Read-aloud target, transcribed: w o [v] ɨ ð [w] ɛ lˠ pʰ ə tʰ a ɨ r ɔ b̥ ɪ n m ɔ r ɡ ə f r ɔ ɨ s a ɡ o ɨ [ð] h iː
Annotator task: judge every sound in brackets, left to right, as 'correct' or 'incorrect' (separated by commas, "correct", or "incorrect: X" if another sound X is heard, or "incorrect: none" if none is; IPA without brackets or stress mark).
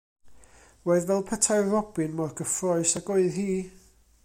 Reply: incorrect: none, incorrect: v, correct